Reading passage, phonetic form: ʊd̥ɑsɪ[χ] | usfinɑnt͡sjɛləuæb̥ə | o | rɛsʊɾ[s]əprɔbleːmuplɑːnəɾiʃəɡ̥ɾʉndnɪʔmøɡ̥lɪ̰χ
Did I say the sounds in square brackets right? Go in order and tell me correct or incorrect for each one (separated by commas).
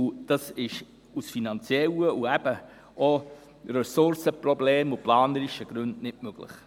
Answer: incorrect, correct